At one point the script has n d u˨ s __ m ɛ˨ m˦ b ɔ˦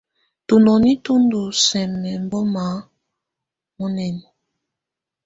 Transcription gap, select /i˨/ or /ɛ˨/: ɛ˨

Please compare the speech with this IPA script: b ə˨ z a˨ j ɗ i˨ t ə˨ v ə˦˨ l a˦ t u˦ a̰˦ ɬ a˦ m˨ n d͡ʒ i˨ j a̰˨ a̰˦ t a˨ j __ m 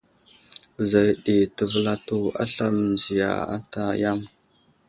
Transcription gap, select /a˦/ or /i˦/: a˦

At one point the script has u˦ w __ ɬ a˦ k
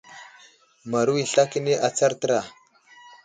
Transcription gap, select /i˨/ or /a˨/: i˨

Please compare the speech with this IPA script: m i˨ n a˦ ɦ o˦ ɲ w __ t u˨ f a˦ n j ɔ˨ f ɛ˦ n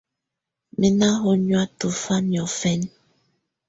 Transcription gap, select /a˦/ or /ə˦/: a˦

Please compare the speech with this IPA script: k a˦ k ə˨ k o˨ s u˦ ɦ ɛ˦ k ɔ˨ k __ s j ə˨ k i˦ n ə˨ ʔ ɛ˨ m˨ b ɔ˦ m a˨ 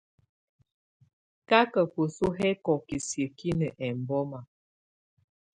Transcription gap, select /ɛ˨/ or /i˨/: i˨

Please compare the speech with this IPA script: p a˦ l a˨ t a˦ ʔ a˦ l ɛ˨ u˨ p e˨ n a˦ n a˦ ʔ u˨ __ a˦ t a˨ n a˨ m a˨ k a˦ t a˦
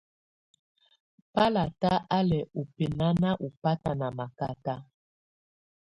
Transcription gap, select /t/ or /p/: p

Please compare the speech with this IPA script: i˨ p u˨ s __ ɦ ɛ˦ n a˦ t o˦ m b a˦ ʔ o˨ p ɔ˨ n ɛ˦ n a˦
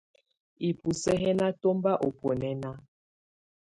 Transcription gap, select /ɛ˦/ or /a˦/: ɛ˦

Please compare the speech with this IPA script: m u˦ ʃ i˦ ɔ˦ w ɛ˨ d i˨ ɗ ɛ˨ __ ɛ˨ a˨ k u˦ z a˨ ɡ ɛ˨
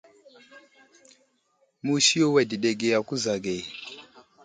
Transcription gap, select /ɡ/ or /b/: ɡ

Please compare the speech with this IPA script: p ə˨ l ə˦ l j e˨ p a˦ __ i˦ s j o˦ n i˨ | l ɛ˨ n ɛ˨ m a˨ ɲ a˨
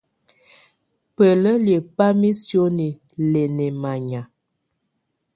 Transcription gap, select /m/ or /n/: m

